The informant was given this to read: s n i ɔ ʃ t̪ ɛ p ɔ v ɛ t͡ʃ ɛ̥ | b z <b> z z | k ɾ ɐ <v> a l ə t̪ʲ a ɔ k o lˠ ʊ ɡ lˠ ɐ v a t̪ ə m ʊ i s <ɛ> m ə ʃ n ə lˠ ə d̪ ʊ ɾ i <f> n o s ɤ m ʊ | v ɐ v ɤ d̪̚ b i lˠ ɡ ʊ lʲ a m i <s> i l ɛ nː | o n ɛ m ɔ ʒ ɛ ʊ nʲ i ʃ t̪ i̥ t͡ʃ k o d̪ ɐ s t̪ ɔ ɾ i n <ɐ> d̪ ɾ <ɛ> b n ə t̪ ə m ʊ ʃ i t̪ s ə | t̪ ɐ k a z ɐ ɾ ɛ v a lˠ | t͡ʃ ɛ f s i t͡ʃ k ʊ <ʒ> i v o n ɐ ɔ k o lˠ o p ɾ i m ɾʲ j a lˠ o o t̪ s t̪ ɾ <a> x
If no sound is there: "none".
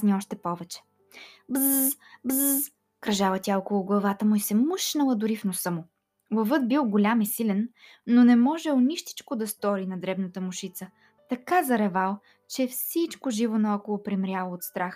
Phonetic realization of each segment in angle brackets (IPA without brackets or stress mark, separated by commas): b, ʒ, ɛ, f, s, ɐ, ɛ, ʒ, a